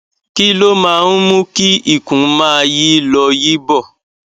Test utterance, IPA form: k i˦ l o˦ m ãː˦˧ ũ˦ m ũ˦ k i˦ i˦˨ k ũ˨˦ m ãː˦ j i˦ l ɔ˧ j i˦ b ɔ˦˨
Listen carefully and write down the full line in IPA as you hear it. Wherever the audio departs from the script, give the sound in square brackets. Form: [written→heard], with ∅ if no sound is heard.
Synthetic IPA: k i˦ l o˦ m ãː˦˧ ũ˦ m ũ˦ k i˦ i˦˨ k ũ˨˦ m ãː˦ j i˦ l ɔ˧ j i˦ b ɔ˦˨